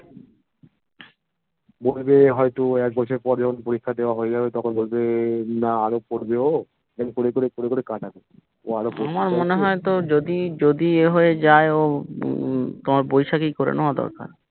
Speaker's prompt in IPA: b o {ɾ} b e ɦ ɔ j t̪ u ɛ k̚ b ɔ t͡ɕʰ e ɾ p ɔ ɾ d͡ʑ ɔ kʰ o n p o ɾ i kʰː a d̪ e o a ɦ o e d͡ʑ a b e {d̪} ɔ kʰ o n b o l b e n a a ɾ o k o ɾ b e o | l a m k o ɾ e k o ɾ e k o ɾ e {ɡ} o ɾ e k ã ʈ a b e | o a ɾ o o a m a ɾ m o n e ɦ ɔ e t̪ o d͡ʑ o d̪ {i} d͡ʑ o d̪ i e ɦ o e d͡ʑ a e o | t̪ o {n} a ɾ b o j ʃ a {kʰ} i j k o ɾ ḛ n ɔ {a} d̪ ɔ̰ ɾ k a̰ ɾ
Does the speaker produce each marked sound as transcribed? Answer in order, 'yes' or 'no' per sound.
no, no, no, yes, no, no, yes

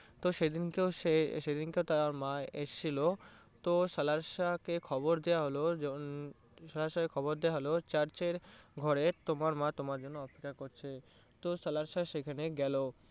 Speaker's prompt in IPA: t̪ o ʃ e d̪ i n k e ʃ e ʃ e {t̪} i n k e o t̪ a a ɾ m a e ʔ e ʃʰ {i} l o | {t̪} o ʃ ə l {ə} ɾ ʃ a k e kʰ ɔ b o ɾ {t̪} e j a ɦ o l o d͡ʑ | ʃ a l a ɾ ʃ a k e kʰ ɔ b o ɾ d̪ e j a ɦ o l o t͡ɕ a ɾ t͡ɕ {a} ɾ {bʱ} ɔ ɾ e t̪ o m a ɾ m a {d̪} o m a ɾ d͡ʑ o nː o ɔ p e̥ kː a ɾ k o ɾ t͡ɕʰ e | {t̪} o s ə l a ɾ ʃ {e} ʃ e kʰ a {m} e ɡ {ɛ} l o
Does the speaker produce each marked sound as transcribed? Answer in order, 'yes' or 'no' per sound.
no, yes, yes, no, no, no, no, no, yes, no, no, yes

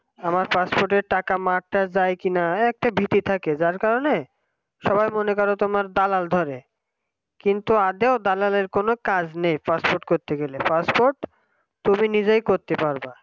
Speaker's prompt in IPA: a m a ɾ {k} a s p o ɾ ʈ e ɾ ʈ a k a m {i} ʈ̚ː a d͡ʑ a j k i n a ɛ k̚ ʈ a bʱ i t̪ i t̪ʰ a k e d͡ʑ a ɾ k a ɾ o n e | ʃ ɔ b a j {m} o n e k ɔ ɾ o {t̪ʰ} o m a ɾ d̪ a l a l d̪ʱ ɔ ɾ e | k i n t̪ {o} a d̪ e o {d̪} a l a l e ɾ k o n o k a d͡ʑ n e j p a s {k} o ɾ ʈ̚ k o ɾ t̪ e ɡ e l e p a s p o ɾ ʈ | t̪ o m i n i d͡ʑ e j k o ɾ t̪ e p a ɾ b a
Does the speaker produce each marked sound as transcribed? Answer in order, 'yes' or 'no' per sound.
no, no, yes, no, no, yes, no

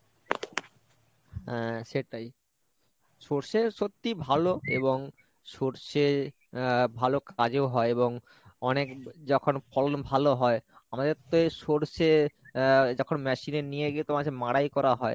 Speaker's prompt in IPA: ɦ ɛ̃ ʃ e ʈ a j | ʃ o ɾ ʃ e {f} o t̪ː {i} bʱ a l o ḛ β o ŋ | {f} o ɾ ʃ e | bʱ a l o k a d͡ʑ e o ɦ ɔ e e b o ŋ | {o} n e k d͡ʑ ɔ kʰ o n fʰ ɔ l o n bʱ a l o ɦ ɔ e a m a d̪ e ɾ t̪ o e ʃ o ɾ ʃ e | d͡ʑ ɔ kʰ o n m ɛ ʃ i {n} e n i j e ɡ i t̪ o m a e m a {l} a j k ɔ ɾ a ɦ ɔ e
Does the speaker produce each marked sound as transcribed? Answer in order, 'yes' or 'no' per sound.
no, yes, no, no, yes, no

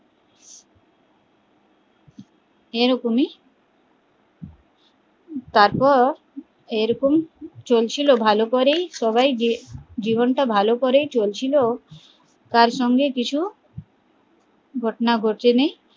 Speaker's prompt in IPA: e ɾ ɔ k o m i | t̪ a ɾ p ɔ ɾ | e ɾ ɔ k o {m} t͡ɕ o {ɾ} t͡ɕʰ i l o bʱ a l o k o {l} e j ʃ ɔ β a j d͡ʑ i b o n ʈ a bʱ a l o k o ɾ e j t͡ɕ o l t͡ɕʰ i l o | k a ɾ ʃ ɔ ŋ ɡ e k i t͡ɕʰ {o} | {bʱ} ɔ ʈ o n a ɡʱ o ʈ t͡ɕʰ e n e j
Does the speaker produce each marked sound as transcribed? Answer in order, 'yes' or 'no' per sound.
yes, no, no, no, no

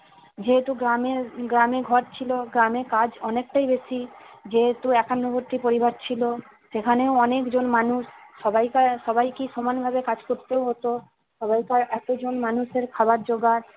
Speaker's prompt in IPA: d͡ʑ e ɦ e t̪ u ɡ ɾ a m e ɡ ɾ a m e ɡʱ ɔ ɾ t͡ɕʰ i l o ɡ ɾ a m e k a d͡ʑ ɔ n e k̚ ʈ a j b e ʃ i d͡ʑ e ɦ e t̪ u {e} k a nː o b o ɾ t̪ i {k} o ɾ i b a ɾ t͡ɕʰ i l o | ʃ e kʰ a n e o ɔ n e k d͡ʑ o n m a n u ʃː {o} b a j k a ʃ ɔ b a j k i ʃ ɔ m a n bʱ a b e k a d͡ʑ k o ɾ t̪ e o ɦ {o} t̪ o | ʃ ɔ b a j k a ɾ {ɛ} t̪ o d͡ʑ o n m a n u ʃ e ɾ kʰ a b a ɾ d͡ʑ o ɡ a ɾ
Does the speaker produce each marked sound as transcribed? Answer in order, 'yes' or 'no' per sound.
no, no, no, yes, yes

